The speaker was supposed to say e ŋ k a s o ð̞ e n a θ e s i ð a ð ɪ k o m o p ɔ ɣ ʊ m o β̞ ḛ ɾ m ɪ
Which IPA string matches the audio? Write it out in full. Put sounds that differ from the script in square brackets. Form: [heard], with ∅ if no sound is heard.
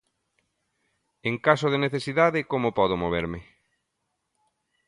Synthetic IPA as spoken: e ŋ k a s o ð̞ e n [e] θ e s i ð a ð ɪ k o m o p ɔ [ð] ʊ m o β̞ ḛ ɾ m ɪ